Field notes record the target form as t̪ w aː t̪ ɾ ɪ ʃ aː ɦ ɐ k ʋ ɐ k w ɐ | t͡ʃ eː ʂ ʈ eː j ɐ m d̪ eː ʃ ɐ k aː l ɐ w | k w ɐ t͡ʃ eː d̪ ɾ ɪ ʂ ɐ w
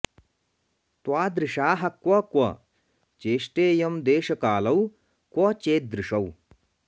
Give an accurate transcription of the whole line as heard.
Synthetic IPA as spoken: t̪ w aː d̪ ɾ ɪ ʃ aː ɦ ɐ k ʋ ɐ k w ɐ | t͡ʃ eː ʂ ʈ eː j ɐ m d̪ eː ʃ ɐ k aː l ɐ w | k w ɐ t͡ʃ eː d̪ ɾ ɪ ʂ ɐ w